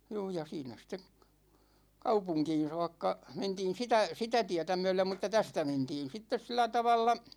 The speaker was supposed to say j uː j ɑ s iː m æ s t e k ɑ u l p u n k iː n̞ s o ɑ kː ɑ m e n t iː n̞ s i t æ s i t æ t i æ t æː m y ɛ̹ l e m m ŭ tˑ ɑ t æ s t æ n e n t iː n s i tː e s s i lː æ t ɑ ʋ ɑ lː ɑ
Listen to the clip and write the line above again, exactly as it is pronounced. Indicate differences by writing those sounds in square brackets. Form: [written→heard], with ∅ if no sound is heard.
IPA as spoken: j uː j ɑ s iː [m→n] æ s t e k ɑ u [l→∅] p u [n→ŋ] k iː n̞ s o ɑ kː ɑ m e n t iː n̞ s i t æ s i t æ t i æ t [æː→æ] m y ɛ̹ l e m m ŭ tˑ ɑ t æ s t æ [n→m] e n t iː n s i tː e s s i lː æ t ɑ ʋ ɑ lː ɑ